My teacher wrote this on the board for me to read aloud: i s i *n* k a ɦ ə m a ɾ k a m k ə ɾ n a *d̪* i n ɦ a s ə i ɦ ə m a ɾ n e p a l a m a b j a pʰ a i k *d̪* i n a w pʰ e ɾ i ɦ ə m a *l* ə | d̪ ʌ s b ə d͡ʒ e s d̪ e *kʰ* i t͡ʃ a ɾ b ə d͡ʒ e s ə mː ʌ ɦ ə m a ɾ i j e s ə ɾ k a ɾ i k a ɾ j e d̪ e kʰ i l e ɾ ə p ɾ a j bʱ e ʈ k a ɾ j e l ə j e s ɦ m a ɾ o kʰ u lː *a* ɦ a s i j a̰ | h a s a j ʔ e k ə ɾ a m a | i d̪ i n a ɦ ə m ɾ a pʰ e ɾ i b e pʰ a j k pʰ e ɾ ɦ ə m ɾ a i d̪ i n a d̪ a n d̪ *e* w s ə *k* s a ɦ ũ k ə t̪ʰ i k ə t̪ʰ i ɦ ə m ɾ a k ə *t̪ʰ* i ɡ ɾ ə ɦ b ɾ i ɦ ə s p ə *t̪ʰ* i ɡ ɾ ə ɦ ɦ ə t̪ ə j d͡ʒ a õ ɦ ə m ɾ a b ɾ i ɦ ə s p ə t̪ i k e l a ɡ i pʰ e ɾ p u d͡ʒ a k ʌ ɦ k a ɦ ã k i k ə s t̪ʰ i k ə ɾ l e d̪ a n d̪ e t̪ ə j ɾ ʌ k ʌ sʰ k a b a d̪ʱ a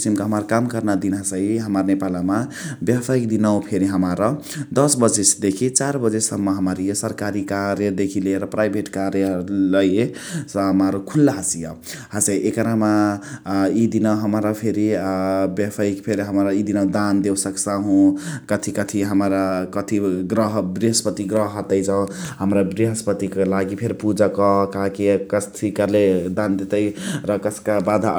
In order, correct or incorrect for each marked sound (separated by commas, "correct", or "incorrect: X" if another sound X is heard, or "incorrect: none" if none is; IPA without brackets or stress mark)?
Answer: incorrect: m, correct, correct, incorrect: ɾ, correct, correct, correct, correct, correct, incorrect: t̪